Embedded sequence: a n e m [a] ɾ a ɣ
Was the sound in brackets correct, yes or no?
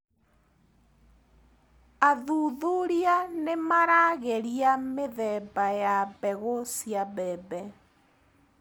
yes